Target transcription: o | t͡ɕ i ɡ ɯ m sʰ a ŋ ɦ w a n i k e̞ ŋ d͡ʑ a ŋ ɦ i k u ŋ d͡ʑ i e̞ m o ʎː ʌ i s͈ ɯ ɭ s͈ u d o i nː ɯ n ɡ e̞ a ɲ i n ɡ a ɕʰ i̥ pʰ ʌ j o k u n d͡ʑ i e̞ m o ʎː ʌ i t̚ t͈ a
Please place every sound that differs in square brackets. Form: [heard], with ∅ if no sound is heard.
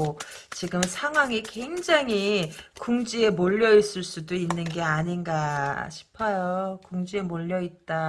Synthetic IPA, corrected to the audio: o | t͡ɕ i ɡ ɯ m sʰ a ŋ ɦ w a [ŋ] i k e̞ ŋ d͡ʑ a ŋ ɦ i k u ŋ d͡ʑ i e̞ m o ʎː ʌ i s͈ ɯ ɭ s͈ u d o i nː ɯ n ɡ e̞ a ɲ i n ɡ a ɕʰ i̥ pʰ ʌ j o k u [ŋ] d͡ʑ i e̞ m o ʎː ʌ i t̚ t͈ a

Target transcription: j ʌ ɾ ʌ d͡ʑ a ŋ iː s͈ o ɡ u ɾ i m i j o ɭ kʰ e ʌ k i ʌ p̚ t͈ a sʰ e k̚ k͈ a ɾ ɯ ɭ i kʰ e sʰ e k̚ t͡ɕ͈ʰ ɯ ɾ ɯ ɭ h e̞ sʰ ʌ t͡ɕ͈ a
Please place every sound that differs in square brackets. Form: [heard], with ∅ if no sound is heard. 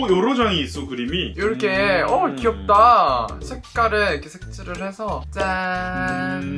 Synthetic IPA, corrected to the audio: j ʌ ɾ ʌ d͡ʑ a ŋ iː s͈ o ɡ [ɯ] ɾ i m i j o [ɾ] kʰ e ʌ k i ʌ p̚ t͈ a sʰ e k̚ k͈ a ɾ ɯ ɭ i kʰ e sʰ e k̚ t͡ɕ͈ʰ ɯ ɾ ɯ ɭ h e̞ sʰ ʌ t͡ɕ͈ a

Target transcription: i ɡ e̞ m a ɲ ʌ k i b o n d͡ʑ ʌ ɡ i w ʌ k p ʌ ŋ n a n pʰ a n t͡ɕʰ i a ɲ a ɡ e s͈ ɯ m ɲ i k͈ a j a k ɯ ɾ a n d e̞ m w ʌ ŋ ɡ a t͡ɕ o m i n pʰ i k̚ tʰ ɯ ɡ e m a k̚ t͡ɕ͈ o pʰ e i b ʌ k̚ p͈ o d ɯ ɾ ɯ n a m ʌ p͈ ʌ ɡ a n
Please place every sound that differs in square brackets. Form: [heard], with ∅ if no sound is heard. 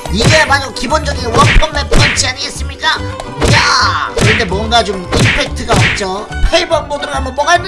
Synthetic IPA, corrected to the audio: i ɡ e̞ m a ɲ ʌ k i b o n d͡ʑ ʌ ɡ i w ʌ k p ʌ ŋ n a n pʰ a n t͡ɕʰ i a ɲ [i] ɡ e s͈ ɯ m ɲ i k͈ a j a k ɯ ɾ [ʌ] n d e̞ m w ʌ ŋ ɡ a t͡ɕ o m i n pʰ [e] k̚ tʰ ɯ ɡ [a] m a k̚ t͡ɕ͈ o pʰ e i b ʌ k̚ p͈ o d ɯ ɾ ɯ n a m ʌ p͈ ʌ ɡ a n

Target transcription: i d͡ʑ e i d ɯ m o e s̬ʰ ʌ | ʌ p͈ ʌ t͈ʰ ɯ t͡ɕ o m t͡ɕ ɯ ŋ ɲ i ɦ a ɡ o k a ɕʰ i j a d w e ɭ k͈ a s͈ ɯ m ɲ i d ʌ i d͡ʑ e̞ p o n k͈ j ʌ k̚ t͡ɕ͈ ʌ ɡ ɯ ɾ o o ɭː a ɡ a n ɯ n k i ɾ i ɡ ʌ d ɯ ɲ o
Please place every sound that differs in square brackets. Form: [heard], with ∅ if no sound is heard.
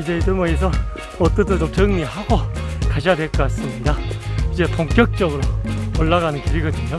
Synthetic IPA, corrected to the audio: i d͡ʑ e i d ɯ m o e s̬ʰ ʌ | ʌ [t͈] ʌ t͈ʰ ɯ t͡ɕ o m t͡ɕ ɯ ŋ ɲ i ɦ a ɡ o k a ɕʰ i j a d w e ɭ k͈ a s͈ ɯ m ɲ i d [a] i d͡ʑ e̞ p o [ŋ] k͈ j ʌ k̚ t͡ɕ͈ ʌ ɡ ɯ ɾ o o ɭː a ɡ a n ɯ n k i ɾ i ɡ ʌ d ɯ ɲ o

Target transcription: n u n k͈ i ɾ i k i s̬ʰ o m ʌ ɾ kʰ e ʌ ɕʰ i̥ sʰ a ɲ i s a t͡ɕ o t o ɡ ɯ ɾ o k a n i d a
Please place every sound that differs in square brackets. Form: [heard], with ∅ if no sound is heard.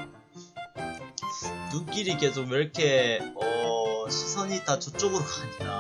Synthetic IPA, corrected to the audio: n u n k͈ i ɾ i k [e] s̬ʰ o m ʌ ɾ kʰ e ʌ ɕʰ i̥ sʰ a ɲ i [t] a t͡ɕ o [t͡ɕ͈] o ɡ ɯ ɾ o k a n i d a

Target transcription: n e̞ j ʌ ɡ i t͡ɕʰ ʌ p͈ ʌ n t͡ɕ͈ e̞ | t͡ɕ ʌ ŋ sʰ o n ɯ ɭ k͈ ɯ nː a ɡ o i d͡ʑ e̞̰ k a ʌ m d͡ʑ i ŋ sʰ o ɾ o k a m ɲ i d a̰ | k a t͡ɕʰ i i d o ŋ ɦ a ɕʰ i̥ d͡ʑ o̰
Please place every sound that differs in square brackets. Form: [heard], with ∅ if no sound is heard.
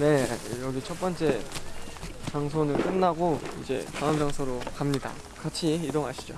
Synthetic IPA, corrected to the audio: n e̞ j ʌ ɡ i t͡ɕʰ ʌ p͈ ʌ n t͡ɕ͈ e̞ | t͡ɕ [a] ŋ sʰ o n ɯ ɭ k͈ ɯ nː a ɡ o i d͡ʑ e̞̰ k a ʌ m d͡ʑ [a] ŋ sʰ o ɾ o k a m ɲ i d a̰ | k a t͡ɕʰ i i d o ŋ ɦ a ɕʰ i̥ d͡ʑ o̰

